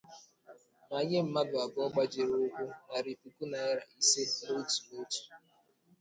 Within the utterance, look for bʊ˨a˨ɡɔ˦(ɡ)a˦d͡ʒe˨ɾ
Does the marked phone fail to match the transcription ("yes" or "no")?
yes